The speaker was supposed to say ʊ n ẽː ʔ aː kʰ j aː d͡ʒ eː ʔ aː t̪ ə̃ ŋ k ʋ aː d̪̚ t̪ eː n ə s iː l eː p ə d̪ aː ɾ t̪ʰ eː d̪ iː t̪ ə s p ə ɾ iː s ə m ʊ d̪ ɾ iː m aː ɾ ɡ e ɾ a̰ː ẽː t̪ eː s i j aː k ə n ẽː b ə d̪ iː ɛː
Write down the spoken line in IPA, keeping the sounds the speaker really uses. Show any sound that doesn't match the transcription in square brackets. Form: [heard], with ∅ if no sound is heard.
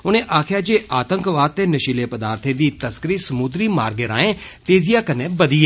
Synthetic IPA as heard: ʊ n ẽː ʔ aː kʰ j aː d͡ʒ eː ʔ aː t̪ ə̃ ŋ k ʋ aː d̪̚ t̪ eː n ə [ʃ] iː l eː p ə d̪ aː ɾ t̪ʰ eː d̪ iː t̪ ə s [k] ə ɾ iː s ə m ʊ d̪ ɾ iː m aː ɾ ɡ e ɾ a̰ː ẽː t̪ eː [z] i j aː k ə n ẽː b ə d̪ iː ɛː